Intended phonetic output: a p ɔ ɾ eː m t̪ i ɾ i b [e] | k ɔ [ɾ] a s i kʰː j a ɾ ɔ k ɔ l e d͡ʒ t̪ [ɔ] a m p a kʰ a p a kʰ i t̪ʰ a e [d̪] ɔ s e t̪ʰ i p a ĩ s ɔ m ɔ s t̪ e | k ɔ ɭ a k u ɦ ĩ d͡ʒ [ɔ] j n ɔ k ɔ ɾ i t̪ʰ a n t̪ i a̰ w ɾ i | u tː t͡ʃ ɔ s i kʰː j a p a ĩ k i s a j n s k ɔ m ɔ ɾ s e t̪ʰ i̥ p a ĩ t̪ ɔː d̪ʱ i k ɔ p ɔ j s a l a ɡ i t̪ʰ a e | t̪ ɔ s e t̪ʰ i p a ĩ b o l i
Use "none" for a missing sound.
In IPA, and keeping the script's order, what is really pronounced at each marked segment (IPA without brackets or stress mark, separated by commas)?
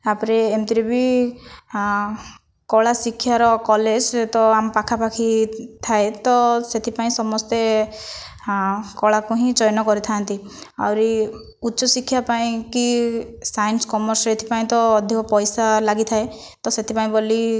i, ɭ, ɔ, t̪, ɔ